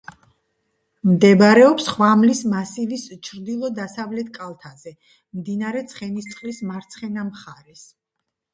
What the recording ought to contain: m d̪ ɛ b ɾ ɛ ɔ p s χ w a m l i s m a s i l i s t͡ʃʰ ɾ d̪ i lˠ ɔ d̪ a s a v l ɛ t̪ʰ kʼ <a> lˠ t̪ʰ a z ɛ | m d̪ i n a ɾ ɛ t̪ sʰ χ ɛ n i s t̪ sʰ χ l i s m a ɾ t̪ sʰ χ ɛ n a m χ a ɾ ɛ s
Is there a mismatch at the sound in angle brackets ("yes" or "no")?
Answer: no